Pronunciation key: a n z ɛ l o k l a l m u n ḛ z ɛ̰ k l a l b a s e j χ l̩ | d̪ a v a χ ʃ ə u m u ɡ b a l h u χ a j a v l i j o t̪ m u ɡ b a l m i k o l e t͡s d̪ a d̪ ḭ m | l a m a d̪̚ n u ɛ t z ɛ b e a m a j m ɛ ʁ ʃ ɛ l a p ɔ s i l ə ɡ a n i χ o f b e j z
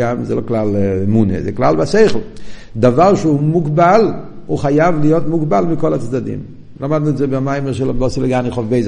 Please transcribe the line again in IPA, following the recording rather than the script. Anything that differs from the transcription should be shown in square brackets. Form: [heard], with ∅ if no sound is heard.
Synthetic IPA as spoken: a [m] z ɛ l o k l a l m u n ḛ z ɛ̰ k l a l b a s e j χ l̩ | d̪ a v a [ʁ] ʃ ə u m u ɡ b a l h u χ a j a v l i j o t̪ m u ɡ b a l m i k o l [a] t͡s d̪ a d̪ ḭ m | l a m a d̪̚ n u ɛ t z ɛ b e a m a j m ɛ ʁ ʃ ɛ l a [b] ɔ s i l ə ɡ a n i χ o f b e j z